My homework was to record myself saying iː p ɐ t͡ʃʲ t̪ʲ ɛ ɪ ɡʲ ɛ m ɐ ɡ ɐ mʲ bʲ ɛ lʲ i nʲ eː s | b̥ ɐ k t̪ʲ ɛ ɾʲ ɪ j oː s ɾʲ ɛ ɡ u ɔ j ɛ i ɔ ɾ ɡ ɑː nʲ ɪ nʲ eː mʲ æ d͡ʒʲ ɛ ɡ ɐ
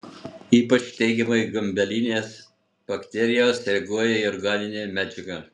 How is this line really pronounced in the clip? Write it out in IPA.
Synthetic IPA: iː p ɐ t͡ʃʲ t̪ʲ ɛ ɪ ɡʲ ɛ m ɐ ɡ ɐ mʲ bʲ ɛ lʲ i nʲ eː s | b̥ ɐ k t̪ʲ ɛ ɾʲ ɪ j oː s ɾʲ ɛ ɡ u ɔ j ɛ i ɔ ɾ ɡ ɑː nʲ ɪ nʲ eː mʲ æ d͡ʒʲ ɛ ɡ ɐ